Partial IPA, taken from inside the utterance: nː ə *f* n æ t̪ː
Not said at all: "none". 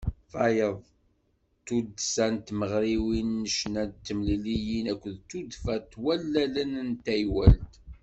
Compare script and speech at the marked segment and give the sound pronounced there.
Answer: ʃ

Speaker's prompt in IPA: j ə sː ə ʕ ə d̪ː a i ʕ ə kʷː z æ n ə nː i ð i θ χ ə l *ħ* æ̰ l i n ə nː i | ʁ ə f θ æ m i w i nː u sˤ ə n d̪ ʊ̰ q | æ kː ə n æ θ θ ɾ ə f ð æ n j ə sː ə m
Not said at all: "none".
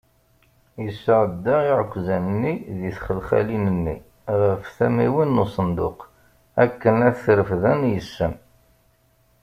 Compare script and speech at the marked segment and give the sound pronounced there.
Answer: χ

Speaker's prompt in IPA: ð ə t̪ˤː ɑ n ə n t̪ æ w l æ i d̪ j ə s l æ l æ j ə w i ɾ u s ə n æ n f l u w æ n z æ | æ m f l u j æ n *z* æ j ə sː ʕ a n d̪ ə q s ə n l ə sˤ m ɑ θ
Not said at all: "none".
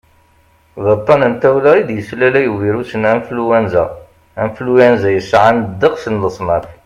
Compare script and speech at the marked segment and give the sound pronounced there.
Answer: z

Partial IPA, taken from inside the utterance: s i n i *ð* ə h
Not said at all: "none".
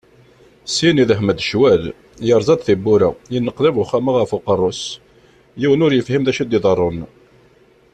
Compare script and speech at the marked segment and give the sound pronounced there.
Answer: ð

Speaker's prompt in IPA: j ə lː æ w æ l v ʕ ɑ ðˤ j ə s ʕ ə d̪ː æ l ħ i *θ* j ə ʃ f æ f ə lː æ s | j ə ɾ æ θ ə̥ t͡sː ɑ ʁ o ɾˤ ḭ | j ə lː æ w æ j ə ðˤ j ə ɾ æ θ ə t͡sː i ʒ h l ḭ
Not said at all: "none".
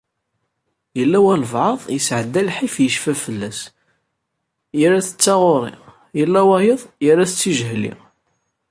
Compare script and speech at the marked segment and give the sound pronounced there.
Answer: f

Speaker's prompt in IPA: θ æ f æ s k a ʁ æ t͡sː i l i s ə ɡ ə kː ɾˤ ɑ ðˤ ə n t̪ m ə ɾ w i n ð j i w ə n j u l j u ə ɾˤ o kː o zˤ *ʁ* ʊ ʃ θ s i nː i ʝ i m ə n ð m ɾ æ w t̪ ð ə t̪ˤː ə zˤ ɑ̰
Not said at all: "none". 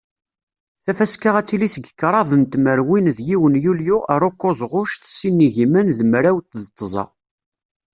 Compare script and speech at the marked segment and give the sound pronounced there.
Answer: ʁ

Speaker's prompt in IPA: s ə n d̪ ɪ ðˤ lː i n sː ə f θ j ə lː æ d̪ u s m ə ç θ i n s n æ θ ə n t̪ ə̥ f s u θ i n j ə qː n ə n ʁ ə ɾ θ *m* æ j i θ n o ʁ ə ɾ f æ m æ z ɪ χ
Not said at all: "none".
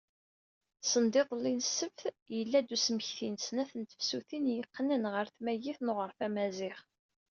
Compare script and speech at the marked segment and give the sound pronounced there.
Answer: m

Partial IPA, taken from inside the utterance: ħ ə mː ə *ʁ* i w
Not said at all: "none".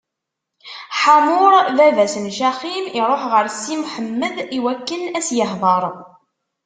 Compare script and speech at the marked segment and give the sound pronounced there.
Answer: ð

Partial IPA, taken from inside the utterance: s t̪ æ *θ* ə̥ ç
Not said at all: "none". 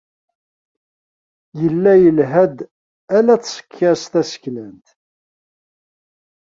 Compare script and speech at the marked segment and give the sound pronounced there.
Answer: s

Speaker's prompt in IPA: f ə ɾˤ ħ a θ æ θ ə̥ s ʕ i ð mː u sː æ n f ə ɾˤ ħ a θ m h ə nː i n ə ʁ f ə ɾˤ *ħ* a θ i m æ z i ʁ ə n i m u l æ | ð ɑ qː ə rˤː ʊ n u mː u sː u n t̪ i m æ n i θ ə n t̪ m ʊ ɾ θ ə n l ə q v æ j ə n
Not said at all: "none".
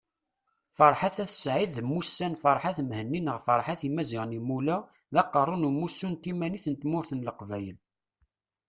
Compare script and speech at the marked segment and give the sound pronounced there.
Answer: ħ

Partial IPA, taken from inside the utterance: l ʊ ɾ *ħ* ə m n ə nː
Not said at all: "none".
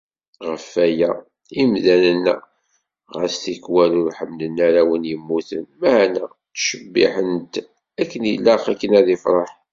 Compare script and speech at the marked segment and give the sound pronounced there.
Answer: ħ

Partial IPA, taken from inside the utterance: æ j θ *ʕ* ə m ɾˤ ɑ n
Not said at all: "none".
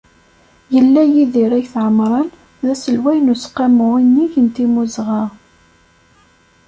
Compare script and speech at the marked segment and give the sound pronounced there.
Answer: ʕ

